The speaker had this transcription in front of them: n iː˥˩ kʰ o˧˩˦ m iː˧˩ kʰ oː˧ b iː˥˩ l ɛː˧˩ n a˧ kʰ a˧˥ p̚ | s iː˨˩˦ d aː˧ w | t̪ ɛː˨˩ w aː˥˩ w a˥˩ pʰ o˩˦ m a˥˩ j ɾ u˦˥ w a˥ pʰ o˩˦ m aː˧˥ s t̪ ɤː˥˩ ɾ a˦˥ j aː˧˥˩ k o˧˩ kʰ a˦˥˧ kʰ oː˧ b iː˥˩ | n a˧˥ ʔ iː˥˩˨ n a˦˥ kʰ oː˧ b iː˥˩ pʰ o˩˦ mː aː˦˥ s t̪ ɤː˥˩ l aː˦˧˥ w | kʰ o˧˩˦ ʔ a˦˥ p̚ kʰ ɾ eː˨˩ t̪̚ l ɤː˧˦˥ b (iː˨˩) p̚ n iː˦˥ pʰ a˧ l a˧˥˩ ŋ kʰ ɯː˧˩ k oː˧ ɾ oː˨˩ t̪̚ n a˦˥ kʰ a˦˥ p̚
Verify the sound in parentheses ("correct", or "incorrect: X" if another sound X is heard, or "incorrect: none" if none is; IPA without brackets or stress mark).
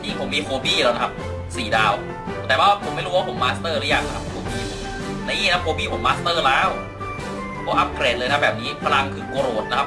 incorrect: ɛː˨˩